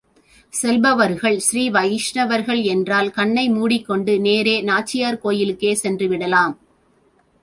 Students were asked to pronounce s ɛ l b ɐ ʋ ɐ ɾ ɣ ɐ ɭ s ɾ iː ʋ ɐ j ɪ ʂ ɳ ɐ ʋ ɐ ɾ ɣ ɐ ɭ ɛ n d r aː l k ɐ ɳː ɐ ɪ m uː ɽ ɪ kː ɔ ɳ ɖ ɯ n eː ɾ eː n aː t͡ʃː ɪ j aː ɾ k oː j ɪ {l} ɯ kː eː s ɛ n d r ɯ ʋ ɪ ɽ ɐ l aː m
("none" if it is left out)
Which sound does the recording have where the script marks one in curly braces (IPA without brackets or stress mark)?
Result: l